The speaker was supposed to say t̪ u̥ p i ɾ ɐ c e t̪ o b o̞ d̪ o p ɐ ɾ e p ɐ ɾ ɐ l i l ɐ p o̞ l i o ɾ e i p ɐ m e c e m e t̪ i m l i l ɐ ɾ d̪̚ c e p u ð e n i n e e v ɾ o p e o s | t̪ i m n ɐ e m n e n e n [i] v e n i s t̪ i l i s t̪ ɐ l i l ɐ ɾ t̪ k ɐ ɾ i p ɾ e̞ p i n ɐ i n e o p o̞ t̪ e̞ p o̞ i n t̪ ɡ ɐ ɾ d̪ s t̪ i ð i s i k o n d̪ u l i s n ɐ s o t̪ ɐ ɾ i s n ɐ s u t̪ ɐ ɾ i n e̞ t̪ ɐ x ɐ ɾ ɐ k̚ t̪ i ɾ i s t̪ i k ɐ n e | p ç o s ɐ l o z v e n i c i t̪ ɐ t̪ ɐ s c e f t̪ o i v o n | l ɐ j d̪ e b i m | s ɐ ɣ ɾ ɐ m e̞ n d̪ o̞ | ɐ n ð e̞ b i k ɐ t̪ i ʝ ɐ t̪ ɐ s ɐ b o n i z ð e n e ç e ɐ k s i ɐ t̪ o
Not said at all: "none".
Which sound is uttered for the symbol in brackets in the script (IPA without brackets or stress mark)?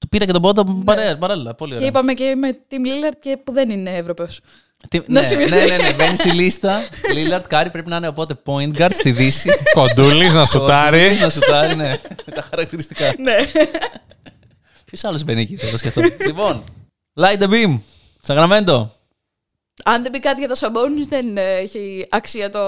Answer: e